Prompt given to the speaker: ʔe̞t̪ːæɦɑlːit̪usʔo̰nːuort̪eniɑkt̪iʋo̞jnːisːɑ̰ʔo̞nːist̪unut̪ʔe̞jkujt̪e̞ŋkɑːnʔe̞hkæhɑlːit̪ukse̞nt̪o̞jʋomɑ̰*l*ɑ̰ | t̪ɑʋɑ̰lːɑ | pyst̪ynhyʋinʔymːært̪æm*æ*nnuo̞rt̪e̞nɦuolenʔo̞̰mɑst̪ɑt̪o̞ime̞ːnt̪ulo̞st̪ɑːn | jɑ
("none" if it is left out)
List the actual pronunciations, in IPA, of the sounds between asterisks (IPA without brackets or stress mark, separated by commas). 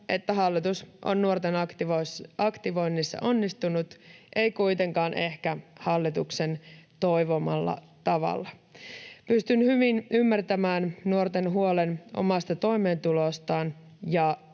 lː, æː